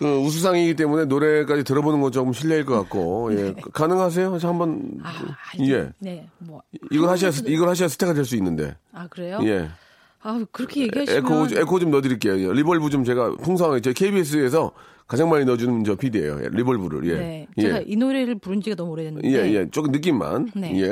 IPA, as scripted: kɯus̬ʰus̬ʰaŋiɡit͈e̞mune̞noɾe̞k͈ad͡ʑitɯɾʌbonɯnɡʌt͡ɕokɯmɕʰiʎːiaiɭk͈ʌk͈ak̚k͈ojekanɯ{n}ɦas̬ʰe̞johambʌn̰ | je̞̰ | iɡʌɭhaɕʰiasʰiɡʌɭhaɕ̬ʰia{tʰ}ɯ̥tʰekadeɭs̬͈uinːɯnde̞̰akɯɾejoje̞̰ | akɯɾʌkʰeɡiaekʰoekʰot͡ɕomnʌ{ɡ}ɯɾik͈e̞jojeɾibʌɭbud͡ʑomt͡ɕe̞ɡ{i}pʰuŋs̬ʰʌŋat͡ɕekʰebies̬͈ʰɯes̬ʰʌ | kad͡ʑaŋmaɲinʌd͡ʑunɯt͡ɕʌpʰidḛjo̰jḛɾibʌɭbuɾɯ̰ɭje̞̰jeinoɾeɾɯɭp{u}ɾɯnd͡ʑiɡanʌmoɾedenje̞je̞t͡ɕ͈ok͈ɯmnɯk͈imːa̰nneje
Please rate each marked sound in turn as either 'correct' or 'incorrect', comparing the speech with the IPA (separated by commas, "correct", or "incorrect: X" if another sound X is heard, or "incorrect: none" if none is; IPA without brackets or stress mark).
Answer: incorrect: ŋ, incorrect: sʰ, incorrect: d, incorrect: a, correct